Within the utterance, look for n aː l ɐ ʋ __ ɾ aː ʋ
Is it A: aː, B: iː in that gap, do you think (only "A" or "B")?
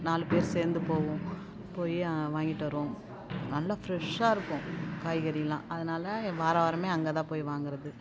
A